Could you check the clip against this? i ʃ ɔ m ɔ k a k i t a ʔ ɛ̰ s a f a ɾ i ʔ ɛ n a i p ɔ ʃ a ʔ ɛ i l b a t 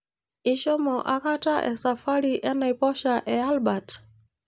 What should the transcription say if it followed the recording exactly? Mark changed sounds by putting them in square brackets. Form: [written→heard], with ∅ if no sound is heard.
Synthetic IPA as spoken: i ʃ ɔ m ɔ [k→ʔ] a k [i→a] t a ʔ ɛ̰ s a f a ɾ i ʔ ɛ n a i p ɔ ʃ a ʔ ɛ [i→a] l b a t

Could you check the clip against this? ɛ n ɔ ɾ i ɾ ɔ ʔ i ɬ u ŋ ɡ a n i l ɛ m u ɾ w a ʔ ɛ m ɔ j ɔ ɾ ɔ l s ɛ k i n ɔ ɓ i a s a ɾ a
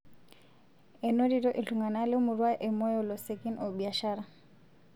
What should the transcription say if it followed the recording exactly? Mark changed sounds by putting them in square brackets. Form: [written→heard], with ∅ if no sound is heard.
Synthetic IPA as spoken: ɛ n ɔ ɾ i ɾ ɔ ʔ i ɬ u ŋ ɡ a n [i→a] l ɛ m u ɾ w a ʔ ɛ m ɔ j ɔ [ɾ→l] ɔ [l→∅] s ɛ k i n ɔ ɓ i a [s→ʃ] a ɾ a

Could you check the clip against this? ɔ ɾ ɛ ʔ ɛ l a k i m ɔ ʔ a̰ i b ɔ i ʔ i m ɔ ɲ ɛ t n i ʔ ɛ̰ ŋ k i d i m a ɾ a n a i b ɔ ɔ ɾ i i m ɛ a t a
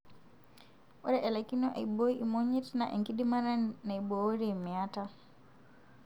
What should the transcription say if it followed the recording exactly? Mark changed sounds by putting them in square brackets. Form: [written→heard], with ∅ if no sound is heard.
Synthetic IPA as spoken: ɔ ɾ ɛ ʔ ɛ l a k i [m→n] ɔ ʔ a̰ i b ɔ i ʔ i m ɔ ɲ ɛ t n [i→a] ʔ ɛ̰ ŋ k i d i m a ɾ a n a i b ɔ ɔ ɾ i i m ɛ a t a

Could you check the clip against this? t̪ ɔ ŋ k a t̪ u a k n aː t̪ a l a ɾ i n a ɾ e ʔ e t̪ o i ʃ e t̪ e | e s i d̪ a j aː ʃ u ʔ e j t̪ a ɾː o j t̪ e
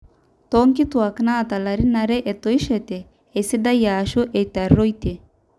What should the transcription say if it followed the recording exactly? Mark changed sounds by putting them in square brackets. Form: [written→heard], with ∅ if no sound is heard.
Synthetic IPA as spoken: t̪ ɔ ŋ k [a→i] t̪ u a k n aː t̪ a l a ɾ i n a ɾ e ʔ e t̪ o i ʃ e t̪ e | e s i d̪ a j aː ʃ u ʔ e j t̪ a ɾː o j t̪ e

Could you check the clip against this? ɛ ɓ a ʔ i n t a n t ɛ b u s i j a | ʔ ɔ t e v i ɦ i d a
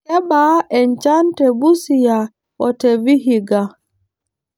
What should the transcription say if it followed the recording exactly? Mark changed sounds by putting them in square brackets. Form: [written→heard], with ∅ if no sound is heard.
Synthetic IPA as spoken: ɛ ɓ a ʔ [i→ɛ] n [t→t͡ʃ] a n t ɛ b u s i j a | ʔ ɔ t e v i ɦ i [d→ɡ] a

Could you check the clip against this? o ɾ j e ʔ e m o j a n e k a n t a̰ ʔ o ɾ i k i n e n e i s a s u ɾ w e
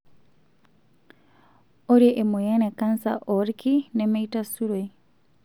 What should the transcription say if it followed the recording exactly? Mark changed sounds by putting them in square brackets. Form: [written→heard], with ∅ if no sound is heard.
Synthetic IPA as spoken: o ɾ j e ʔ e m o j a n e k a n [t→s] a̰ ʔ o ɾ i k i n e [n→m] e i [s→t] a s u ɾ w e

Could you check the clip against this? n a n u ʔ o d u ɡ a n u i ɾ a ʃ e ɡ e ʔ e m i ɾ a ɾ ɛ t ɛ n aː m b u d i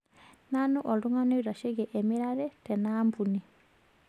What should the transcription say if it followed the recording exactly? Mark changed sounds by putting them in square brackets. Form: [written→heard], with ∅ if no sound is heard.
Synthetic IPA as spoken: n a n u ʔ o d u [ɡ→ŋ] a n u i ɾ a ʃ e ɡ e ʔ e m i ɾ a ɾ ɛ t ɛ n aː m b u [d→n] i

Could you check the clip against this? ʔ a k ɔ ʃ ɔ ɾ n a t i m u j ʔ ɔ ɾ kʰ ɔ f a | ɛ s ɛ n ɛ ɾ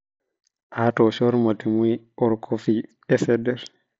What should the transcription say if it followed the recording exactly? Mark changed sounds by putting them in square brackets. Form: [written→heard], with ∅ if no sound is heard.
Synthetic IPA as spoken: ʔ a [k→t] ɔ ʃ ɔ ɾ [n→m] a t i m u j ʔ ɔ ɾ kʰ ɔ f [a→i] | ɛ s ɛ [n→d] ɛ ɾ

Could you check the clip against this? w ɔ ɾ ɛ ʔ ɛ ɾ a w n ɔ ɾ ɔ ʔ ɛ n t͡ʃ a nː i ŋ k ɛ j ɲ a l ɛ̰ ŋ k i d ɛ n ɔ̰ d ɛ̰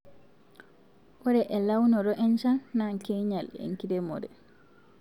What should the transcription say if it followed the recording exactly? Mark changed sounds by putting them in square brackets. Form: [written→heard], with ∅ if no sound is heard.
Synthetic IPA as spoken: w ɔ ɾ ɛ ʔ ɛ [ɾ→l] a w n ɔ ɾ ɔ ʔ ɛ n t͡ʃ a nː [i→a] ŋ k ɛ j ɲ a l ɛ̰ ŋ k i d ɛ [n→m] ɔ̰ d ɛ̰

